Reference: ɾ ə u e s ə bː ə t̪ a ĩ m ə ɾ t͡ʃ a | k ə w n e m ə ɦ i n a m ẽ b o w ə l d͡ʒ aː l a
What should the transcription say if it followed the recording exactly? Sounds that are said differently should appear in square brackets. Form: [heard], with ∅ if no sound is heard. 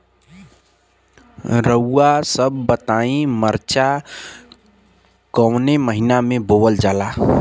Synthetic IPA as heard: ɾ ə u [a] s ə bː ə t̪ a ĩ m ə ɾ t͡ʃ a | k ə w n e m ə ɦ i n a m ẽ b o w ə l d͡ʒ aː l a